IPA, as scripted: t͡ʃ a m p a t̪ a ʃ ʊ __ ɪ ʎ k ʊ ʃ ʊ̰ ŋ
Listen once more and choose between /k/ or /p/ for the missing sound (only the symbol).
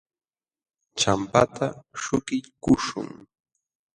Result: k